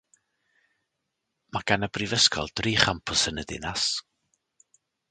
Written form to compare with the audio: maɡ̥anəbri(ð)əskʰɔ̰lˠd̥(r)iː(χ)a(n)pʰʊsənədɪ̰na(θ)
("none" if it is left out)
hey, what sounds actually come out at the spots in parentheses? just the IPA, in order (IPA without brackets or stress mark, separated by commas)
v, r, χ, m, s